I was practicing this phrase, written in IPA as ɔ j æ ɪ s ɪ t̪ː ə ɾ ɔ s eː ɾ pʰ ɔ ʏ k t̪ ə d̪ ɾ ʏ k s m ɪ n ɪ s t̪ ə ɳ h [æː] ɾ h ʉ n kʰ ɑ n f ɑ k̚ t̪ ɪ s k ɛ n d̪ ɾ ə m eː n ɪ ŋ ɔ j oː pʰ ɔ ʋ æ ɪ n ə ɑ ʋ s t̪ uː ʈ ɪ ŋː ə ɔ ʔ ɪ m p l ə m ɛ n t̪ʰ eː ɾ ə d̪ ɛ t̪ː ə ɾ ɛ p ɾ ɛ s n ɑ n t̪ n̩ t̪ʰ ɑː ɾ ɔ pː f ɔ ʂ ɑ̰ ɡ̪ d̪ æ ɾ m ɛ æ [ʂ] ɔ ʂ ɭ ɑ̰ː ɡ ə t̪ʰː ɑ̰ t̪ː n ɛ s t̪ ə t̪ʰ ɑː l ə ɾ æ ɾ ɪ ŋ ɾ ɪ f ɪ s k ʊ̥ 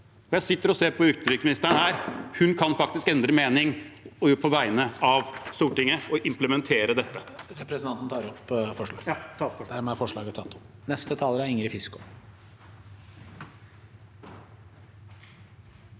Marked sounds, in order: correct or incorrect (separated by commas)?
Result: correct, incorrect